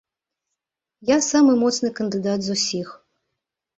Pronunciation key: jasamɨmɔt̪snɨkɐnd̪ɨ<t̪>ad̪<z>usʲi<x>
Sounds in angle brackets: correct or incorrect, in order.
incorrect: d̪, correct, correct

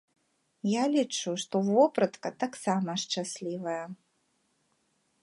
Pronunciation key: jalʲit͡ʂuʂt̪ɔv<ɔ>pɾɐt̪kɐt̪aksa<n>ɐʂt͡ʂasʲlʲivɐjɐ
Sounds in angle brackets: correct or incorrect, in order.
correct, incorrect: m

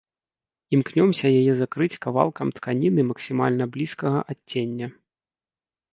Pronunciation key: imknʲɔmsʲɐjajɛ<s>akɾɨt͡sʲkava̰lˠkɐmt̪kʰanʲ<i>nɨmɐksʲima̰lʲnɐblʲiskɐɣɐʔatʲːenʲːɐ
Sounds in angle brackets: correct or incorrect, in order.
incorrect: z, correct

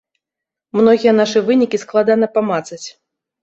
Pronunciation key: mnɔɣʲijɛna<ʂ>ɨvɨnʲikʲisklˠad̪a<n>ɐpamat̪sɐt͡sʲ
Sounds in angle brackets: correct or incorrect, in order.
correct, correct

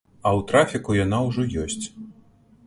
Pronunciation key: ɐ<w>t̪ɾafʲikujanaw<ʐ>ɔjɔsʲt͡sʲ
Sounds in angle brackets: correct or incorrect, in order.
correct, correct

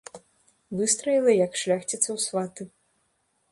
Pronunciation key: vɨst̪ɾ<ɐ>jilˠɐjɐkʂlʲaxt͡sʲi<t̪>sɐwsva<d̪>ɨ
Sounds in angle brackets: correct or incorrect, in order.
correct, correct, incorrect: t̪

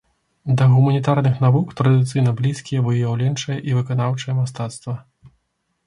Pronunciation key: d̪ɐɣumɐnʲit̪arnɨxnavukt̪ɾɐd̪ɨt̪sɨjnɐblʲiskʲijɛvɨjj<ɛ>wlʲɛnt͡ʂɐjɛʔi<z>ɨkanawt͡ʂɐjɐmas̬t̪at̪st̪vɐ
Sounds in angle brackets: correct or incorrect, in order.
incorrect: a, incorrect: v

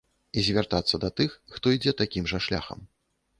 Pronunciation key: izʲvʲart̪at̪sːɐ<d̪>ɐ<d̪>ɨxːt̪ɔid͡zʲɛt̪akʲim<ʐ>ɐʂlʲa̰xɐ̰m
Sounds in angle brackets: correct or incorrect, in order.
correct, incorrect: t̪, correct

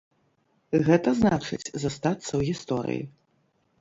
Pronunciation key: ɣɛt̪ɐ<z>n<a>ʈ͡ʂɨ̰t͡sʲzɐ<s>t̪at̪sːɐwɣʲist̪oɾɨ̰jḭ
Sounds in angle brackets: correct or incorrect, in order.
correct, correct, correct

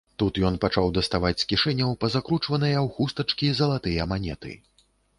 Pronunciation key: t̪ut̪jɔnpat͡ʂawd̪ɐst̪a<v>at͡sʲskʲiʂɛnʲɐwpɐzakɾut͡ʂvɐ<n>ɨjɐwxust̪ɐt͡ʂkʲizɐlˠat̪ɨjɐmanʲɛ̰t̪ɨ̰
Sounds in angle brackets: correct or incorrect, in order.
correct, correct

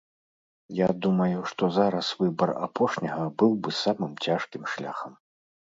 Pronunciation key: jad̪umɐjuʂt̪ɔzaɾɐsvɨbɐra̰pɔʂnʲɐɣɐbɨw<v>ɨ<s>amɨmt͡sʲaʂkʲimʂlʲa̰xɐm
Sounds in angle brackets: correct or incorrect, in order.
incorrect: b, correct

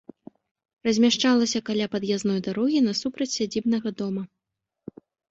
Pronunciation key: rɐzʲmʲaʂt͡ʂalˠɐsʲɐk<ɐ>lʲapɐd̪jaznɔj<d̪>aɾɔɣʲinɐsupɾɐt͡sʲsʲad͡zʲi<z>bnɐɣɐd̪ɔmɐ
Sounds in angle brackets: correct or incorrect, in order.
incorrect: a, correct, incorrect: none

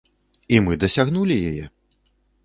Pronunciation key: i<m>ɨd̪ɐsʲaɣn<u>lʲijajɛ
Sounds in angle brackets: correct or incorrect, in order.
correct, correct

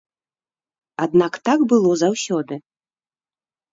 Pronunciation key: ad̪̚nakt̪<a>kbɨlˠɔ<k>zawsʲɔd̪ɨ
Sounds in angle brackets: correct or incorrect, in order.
correct, incorrect: none

